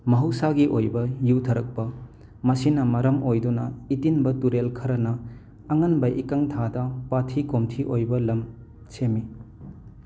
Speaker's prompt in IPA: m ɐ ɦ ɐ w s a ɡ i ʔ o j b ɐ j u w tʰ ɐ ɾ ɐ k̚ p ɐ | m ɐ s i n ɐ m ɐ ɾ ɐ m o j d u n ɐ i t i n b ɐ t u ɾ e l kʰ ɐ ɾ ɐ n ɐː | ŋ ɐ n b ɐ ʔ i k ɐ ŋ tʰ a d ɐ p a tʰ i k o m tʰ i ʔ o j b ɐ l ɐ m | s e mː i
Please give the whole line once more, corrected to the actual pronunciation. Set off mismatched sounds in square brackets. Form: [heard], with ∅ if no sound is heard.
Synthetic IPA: m ɐ ɦ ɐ w s a ɡ i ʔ o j b ɐ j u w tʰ ɐ ɾ ɐ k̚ p ɐ | m ɐ s i n ɐ m ɐ ɾ ɐ m o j d u n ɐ i t i n b ɐ t u ɾ e l kʰ ɐ ɾ ɐ n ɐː | ŋ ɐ n b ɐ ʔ i k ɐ ŋ tʰ a d ɐ p a tʰ i k o m tʰ i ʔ o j b ɐ l ɐ m | s e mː i

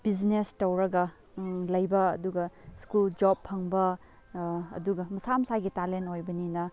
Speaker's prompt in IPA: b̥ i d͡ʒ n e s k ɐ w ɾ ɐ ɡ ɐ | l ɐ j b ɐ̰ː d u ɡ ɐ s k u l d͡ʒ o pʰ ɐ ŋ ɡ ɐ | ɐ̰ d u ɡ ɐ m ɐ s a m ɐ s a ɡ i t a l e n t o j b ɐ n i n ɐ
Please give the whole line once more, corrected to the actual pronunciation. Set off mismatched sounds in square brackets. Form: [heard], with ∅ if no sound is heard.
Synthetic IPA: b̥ i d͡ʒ n e s [t] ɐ w ɾ ɐ ɡ ɐ | l ɐ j b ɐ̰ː d u ɡ ɐ s k u l d͡ʒ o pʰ ɐ ŋ [b] ɐ | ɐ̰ d u ɡ ɐ m ɐ s a m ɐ s a ɡ i t a l e n t o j b ɐ n i n ɐ

